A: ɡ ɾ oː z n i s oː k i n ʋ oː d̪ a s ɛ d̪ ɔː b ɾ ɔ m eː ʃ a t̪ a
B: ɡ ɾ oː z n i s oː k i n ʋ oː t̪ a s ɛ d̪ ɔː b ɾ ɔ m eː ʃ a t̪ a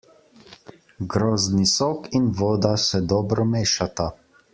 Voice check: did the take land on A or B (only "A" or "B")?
A